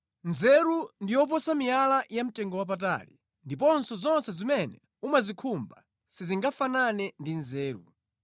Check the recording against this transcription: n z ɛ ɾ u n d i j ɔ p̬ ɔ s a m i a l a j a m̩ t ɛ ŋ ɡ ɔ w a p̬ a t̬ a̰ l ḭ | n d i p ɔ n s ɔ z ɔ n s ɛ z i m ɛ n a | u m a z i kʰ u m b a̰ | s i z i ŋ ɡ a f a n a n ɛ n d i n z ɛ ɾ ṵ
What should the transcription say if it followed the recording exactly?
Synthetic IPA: n z ɛ ɾ u n d i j ɔ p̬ ɔ s a m i a l a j a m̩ t ɛ ŋ ɡ ɔ w a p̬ a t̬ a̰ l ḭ | n d i p ɔ n s ɔ z ɔ n s ɛ z i m ɛ n ɛ | u m a z i kʰ u m b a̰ | s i z i ŋ ɡ a f a n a n ɛ n d i n z ɛː ɾ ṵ